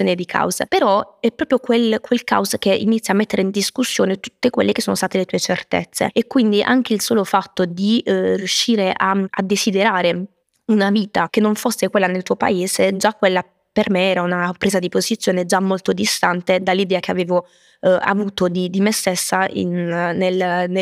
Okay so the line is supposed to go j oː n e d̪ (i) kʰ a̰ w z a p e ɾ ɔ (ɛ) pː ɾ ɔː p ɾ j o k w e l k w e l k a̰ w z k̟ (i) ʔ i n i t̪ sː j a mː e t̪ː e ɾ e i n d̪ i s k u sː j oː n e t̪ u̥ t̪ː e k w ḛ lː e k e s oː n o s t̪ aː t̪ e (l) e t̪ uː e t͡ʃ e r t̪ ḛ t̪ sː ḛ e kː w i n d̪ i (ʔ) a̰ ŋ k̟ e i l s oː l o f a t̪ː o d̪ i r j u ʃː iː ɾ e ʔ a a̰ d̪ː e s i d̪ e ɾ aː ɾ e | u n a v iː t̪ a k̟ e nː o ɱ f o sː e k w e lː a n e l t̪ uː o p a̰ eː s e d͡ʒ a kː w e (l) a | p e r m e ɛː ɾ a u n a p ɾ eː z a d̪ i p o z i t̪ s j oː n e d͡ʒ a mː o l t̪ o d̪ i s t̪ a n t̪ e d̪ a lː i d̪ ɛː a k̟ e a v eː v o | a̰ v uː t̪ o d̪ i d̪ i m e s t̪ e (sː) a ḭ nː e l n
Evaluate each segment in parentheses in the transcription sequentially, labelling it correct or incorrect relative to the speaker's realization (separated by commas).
correct, correct, incorrect, correct, correct, incorrect, correct